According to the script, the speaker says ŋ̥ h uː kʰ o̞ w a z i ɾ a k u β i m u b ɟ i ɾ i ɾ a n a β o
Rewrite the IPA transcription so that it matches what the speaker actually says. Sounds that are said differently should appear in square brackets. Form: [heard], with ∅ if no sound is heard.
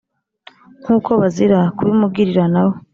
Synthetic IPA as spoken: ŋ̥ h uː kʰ o̞ [β] a z i ɾ a k u β i m u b [ɡ] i ɾ i ɾ a n a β o